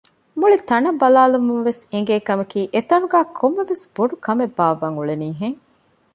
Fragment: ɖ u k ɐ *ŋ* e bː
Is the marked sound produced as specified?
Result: no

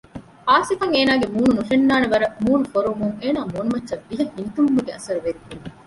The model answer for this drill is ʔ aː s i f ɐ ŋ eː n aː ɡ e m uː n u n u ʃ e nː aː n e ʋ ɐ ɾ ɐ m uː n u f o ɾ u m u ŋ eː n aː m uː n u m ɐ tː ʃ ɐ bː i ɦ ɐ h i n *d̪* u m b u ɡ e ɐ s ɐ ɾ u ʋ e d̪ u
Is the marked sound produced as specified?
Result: no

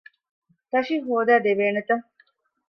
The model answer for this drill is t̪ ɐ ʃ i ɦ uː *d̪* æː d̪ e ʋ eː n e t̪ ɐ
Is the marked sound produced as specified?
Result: yes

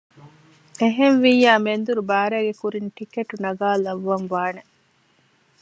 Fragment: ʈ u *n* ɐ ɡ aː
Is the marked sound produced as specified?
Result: yes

